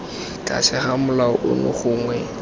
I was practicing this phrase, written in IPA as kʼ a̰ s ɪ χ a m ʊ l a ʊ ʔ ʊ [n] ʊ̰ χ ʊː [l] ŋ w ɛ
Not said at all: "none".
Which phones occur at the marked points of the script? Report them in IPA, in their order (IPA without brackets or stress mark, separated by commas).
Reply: n, none